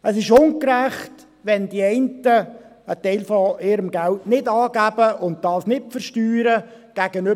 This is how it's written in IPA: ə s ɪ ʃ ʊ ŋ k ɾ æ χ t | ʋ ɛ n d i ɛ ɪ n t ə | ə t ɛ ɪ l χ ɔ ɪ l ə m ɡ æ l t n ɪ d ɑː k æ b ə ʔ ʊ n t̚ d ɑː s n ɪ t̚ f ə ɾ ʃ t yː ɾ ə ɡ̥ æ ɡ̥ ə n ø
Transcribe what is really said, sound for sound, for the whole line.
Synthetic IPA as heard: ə s ɪ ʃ ʊ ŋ k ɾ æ χ t | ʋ ɛ n d i ɛ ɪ n t ə | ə t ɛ ɪ l f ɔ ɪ ɾ ə m ɡ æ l t n ɪ d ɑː ɡ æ b ə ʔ ʊ n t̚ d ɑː s n ɪ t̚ f ə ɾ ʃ t yː ɾ ə ɡ̥ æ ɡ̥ ə n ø